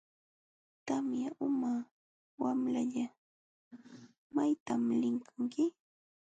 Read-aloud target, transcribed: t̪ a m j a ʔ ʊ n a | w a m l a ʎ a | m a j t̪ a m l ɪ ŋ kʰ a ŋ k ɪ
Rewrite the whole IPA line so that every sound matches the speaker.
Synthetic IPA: t̪ a m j a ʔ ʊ m a | w a m l a ʎ a | m a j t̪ a m l ɪ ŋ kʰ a ŋ k ɪ